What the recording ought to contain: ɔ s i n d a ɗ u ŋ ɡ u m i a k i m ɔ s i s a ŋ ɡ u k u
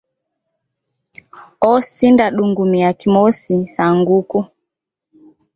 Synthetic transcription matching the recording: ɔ s i n d a ɗ u ŋ ɡ u m i a k i m ɔ s i s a ŋ ɡ u k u